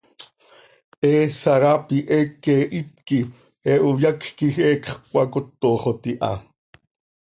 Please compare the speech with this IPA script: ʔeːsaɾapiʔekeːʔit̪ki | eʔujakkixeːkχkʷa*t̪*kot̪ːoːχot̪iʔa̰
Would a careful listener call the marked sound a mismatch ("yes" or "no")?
yes